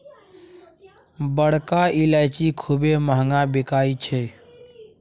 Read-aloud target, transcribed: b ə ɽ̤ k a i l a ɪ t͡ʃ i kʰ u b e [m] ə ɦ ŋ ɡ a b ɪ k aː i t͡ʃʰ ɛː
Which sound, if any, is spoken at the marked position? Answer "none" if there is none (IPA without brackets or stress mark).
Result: m